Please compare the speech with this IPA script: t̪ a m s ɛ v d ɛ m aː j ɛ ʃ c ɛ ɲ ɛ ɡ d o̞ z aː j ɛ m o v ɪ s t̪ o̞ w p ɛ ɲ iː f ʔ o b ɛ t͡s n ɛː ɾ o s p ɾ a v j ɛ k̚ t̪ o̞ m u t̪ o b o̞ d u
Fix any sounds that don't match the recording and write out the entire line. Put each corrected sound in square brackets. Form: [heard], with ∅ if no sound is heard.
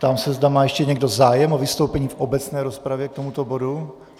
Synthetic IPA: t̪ a m s ɛ [z] d [a] m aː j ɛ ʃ c ɛ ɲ ɛ ɡ d o̞ z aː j ɛ m o v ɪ s t̪ o̞ w p ɛ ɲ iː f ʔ o b ɛ t͡s n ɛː ɾ o s p ɾ a v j ɛ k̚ t̪ o̞ m u t̪ o b o̞ d u